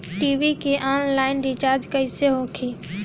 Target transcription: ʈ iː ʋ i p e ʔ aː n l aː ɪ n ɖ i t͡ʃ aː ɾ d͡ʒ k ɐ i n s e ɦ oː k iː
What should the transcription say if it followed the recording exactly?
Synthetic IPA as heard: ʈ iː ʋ i k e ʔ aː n l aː ɪ n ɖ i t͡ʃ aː ɾ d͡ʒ k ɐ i s e ɦ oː kʰ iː